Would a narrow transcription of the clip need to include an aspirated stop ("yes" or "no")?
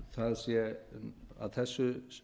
no